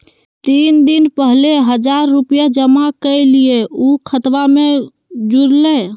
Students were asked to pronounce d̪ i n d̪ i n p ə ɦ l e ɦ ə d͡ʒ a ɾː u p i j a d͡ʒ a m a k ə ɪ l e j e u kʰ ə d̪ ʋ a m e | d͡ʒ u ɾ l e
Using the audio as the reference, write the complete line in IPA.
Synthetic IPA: t̪ i n d̪ i n p ə ɦ l e ɦ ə d͡ʒ a ɾː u p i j a d͡ʒ ə m a k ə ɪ l i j e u kʰ ə t̪ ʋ a m e | d͡ʒ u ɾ l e